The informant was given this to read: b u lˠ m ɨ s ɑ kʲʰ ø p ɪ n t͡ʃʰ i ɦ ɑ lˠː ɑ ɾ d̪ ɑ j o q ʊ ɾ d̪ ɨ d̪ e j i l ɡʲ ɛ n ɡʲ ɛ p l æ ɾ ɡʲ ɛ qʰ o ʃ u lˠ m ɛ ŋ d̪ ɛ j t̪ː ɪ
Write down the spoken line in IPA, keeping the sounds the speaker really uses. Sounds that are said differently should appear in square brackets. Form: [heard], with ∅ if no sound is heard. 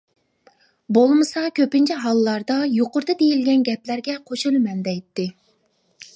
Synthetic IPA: b [o] lˠ m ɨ s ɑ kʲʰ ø p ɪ n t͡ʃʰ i ɦ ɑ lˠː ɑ ɾ d̪ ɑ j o q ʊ ɾ d̪ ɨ d̪ e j i l ɡʲ ɛ n ɡʲ ɛ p l æ ɾ ɡʲ ɛ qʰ o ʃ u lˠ m ɛ [n] d̪ ɛ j t̪ː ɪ

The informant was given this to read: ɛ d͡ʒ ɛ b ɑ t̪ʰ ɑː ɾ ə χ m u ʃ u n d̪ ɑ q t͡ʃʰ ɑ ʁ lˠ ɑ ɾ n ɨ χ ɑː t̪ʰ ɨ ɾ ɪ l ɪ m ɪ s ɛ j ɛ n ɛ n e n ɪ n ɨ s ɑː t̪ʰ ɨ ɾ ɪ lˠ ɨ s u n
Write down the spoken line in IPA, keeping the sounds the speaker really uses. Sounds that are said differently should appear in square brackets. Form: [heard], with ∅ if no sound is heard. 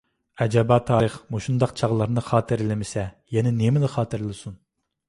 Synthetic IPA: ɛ d͡ʒ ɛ b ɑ t̪ʰ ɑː ɾ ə χ m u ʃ u n d̪ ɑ q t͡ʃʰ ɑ ʁ lˠ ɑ ɾ n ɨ χ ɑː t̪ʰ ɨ ɾ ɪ l ɪ m ɪ s ɛ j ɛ n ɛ n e [m] ɪ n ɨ [χ] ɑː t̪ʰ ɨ ɾ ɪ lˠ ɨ s u n

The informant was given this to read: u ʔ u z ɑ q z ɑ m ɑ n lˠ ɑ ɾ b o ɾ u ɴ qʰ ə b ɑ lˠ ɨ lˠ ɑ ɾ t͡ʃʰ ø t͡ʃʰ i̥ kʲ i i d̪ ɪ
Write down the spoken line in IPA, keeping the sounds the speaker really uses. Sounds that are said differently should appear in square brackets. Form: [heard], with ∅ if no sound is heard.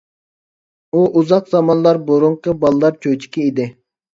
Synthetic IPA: u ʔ u z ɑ q z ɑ m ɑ n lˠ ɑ ɾ b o ɾ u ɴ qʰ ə b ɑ lˠ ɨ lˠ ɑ ɾ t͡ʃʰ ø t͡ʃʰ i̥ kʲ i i d̪ ɪ

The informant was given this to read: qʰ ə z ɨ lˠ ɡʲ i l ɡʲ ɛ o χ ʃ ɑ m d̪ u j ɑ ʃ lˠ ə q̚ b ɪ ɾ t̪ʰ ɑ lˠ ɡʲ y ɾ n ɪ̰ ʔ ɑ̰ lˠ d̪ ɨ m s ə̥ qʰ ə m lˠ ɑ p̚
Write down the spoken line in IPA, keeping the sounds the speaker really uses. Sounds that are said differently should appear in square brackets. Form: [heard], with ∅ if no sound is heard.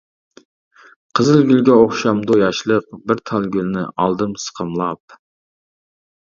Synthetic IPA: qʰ ə z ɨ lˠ ɡʲ [y] l ɡʲ ɛ o χ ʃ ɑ m d̪ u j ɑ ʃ lˠ ə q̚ b ɪ ɾ t̪ʰ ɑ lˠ ɡʲ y [l] n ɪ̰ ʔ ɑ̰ lˠ d̪ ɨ m s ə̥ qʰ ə m lˠ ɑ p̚

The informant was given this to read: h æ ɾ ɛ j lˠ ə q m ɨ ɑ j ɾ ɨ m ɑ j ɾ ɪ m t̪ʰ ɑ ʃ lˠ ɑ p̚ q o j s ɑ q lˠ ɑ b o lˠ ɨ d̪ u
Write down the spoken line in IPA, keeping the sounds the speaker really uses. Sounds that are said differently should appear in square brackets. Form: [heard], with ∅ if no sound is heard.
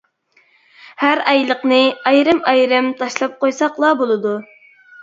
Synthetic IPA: h æ ɾ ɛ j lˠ ə q [n] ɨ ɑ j ɾ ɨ m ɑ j ɾ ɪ m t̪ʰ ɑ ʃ lˠ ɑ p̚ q o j s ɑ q lˠ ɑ b o lˠ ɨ d̪ u

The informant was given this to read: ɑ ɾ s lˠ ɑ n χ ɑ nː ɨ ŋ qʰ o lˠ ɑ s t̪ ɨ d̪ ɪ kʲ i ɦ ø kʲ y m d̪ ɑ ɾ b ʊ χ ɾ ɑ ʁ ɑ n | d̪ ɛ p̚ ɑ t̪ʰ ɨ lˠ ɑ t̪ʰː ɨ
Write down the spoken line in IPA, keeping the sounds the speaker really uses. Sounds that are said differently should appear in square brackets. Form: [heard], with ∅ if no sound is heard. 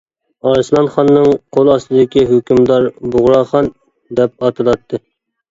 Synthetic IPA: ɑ ɾ s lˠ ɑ n χ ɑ nː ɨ ŋ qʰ o lˠ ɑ s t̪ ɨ d̪ ɪ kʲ i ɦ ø kʲ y m d̪ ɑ ɾ b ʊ [ʁ] ɾ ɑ [χ] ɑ n | d̪ ɛ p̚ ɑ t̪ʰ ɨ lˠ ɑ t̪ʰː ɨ

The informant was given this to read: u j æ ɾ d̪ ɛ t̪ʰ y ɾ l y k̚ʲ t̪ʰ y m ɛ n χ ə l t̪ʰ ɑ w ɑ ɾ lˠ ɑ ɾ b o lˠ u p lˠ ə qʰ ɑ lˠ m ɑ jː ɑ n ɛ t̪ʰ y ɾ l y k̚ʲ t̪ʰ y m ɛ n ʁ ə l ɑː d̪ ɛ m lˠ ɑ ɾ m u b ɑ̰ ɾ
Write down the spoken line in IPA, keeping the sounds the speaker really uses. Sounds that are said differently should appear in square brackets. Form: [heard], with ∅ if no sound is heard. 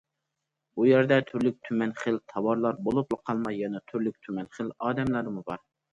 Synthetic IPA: u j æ ɾ d̪ ɛ t̪ʰ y ɾ l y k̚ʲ t̪ʰ y m ɛ n χ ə l t̪ʰ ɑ w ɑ ɾ lˠ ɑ ɾ b o lˠ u p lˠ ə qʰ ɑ lˠ m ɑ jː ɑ n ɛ t̪ʰ y ɾ l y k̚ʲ t̪ʰ y m ɛ n [χ] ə l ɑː d̪ ɛ m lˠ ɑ ɾ m u b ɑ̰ ɾ

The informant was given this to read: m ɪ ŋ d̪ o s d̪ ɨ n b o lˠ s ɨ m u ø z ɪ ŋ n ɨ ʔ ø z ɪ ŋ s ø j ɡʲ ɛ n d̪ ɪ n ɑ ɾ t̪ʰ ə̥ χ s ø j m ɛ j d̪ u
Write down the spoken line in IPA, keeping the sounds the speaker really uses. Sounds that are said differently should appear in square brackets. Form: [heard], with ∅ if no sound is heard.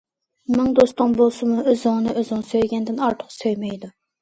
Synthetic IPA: m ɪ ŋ d̪ o s [t̪] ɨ [ŋ] b o lˠ s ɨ m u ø z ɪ ŋ n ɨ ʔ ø z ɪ ŋ s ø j ɡʲ ɛ n d̪ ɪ n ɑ ɾ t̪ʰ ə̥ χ s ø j m ɛ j d̪ u

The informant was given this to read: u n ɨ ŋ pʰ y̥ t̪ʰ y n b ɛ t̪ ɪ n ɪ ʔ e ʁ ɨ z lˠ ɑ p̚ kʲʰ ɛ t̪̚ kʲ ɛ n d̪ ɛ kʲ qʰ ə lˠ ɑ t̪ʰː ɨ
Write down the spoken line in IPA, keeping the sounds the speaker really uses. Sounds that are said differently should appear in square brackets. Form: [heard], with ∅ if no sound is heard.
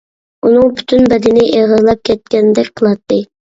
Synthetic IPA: u n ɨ ŋ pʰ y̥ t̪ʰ y n b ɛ [d̪] ɪ n ɪ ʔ e ʁ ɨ z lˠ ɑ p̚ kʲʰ ɛ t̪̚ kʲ ɛ n d̪ ɛ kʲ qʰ ə lˠ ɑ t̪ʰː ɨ

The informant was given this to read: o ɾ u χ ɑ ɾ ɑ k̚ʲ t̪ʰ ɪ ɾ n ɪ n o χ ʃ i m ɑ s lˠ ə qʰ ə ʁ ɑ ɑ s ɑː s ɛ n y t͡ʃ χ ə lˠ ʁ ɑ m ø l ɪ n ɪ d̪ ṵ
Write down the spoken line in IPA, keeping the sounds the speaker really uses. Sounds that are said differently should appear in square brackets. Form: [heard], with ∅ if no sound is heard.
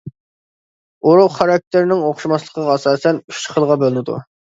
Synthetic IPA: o ɾ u χ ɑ ɾ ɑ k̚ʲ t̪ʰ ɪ ɾ n ɪ [ŋ] o χ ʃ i m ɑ s lˠ ə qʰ ə ʁ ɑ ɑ s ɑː s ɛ n y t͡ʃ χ ə lˠ ʁ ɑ [b] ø l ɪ n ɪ d̪ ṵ

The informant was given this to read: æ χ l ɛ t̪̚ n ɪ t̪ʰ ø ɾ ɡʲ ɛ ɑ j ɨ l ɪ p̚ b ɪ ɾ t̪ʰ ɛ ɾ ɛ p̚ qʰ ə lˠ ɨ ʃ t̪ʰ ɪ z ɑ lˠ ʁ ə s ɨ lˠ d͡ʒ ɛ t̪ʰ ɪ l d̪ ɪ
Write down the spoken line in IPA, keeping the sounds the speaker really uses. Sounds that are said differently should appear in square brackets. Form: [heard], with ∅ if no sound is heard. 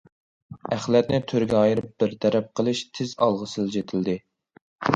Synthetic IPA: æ χ l ɛ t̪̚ n ɪ t̪ʰ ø ɾ ɡʲ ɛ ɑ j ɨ [ɾ] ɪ p̚ b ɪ ɾ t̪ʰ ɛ ɾ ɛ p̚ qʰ ə lˠ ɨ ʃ t̪ʰ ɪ z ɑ lˠ ʁ ə s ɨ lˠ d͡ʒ [e] t̪ʰ ɪ l d̪ ɪ

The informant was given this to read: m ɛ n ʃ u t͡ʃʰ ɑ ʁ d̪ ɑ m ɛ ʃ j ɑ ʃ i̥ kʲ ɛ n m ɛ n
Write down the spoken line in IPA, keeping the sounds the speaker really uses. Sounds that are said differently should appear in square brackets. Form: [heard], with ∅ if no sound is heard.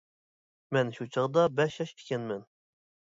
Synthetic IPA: m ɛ n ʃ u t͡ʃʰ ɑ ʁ d̪ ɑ [b] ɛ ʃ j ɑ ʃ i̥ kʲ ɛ n m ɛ n

